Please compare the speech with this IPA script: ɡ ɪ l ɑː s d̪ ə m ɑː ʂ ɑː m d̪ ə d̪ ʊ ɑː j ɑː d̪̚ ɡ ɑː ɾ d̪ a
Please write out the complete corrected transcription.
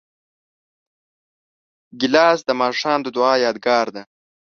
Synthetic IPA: ɡ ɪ l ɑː s d̪ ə m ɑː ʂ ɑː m d̪ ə d̪ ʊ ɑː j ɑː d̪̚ ɡ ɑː ɾ d̪ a